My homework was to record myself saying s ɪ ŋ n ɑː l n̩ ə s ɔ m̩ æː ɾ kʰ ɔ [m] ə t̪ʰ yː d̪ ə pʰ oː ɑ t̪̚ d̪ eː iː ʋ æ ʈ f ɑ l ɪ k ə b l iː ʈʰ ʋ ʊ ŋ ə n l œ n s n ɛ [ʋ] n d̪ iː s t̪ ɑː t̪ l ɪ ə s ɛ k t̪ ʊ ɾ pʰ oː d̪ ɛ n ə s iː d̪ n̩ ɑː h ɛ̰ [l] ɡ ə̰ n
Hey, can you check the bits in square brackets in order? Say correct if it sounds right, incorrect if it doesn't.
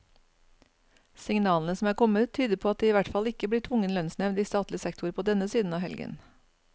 correct, correct, correct

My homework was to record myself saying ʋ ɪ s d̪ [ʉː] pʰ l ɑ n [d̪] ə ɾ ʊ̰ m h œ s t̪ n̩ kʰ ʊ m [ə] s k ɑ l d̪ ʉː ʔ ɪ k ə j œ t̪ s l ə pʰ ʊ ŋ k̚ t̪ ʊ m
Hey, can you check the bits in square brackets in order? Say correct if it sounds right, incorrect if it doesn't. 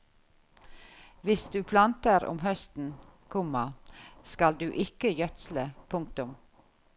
correct, incorrect, incorrect

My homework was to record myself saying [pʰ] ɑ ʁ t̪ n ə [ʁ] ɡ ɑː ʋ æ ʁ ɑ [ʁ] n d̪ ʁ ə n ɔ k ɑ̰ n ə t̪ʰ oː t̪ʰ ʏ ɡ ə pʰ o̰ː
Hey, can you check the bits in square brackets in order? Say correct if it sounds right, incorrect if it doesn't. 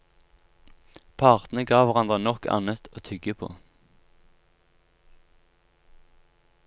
correct, incorrect, incorrect

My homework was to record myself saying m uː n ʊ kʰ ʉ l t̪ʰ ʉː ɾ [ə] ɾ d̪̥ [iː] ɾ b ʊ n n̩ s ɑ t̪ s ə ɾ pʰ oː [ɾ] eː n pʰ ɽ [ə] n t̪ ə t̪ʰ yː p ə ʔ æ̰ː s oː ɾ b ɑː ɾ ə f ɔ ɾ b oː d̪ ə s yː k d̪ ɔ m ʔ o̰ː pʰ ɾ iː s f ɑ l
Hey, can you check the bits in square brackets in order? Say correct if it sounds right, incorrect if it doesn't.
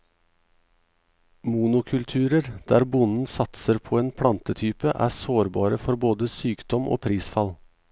correct, incorrect, incorrect, incorrect

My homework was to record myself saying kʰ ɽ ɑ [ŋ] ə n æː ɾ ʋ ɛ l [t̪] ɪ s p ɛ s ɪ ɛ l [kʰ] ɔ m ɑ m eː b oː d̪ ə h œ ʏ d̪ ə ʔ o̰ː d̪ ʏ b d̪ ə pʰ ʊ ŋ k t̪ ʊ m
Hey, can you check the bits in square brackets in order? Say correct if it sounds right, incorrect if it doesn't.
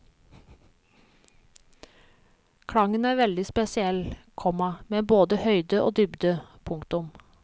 correct, incorrect, correct

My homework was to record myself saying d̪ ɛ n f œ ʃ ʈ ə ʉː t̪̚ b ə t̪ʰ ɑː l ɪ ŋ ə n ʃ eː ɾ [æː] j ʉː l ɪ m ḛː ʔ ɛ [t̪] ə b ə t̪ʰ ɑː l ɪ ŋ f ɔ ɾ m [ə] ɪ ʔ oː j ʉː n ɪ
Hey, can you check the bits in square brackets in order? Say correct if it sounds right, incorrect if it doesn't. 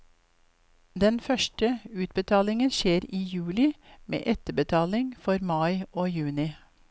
incorrect, correct, incorrect

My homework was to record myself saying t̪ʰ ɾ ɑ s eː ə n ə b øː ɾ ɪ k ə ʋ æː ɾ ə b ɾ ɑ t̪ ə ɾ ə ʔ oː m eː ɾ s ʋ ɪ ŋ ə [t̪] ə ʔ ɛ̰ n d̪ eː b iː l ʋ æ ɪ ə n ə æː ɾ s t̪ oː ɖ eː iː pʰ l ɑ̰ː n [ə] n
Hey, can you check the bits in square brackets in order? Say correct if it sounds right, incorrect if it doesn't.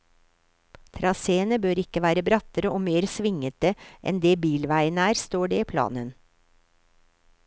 correct, correct

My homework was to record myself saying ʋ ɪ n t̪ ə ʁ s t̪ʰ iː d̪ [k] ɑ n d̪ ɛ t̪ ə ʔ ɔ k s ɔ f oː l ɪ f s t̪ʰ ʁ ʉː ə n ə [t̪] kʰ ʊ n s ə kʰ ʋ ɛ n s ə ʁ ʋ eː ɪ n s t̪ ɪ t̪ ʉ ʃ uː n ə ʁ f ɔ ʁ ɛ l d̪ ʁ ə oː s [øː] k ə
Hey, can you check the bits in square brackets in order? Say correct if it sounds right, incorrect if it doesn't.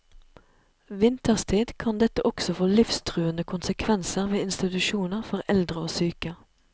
incorrect, incorrect, incorrect

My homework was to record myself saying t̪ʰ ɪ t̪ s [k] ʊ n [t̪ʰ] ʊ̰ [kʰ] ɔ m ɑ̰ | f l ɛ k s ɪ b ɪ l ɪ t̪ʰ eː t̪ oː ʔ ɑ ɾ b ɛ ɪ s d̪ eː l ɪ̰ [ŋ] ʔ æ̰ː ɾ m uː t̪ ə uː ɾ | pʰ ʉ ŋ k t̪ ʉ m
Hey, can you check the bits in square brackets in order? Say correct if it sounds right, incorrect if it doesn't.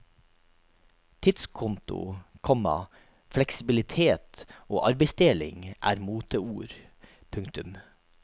incorrect, incorrect, correct, correct

